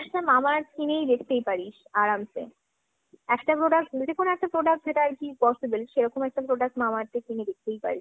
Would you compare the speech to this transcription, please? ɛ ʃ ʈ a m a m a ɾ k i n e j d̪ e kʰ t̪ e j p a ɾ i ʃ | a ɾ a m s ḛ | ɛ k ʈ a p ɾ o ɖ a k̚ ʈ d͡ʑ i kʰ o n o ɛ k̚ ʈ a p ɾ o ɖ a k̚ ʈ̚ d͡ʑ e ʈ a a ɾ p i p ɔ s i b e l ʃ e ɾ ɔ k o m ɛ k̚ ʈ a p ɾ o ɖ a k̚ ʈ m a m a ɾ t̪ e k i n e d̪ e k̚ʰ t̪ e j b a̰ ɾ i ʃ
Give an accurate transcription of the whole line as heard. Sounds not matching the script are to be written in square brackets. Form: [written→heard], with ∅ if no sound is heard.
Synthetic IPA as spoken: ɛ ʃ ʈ a m a m a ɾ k i n e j d̪ e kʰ t̪ e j p a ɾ i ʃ | a ɾ a m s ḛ | ɛ k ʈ a p ɾ o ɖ a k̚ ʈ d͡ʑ [i→e] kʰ o n o ɛ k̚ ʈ a p ɾ o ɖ a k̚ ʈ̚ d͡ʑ e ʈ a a ɾ [p→k] i p ɔ s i b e l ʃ e ɾ ɔ k o m ɛ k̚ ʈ a p ɾ o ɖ a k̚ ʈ m a m a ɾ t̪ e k i n e d̪ e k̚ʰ t̪ e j [b→p] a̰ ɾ i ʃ